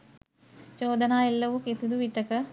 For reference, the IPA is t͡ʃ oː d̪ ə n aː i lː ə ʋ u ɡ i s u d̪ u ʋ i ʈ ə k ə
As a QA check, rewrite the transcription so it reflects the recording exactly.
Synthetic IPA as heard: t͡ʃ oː d̪ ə n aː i lː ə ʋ u k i s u d̪ u ʋ i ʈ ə k ə